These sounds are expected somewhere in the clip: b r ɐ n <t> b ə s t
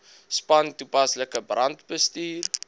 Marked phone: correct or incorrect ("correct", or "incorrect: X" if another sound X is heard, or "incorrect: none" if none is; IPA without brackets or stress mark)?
correct